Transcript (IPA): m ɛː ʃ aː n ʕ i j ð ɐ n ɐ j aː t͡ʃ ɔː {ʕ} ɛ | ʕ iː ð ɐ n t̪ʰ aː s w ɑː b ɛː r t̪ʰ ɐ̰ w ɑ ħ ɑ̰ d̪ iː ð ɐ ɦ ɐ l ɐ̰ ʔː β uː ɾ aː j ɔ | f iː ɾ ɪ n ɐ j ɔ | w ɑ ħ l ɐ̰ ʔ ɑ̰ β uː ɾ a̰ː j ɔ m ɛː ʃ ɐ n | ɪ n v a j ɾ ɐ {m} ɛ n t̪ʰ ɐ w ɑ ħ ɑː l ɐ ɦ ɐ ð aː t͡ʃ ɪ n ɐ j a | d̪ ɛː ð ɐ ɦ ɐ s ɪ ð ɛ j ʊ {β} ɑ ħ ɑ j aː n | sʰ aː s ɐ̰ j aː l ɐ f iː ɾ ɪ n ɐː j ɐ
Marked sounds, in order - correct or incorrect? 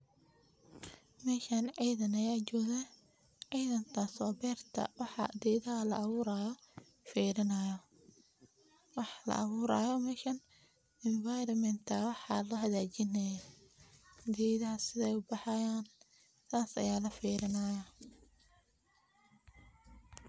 incorrect, correct, incorrect

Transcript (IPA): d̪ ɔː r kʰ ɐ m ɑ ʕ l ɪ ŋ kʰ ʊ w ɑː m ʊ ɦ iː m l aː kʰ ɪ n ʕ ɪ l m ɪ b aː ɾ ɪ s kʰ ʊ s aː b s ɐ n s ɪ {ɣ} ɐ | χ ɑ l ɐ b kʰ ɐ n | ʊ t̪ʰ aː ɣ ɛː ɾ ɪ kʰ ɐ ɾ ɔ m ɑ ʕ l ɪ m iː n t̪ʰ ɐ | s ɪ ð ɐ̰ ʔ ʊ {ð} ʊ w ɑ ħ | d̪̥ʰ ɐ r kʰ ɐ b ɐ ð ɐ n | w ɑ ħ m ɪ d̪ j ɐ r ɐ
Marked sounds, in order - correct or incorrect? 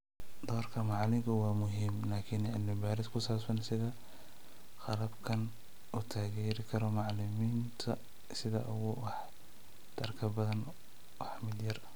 incorrect, incorrect

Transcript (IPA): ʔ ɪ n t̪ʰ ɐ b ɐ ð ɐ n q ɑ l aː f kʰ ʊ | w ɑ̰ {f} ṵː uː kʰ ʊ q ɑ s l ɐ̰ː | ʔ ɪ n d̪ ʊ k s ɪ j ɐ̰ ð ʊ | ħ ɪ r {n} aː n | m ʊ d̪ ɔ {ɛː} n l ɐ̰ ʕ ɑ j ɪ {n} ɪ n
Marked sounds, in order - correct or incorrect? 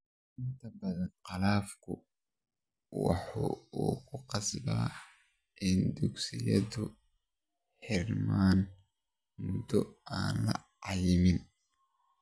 incorrect, incorrect, incorrect, incorrect

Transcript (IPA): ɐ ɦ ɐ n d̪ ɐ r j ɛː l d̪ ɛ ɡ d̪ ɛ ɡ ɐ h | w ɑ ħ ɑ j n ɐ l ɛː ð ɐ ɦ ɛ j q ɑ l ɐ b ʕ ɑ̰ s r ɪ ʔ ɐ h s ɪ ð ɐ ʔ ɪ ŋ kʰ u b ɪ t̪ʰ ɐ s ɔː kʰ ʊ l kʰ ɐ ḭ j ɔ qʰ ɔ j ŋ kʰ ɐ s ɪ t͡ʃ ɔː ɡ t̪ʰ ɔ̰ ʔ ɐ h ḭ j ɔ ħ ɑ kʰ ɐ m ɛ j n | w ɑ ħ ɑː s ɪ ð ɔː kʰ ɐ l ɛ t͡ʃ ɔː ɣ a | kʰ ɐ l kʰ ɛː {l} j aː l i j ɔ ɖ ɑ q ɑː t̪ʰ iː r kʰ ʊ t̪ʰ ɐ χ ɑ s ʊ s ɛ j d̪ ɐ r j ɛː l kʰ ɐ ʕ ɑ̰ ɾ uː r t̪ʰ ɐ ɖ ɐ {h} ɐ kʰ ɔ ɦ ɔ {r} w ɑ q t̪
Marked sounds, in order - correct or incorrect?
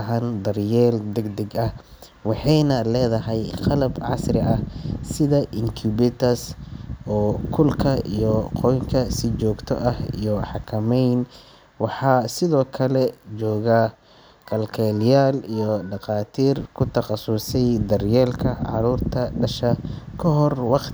correct, incorrect, correct

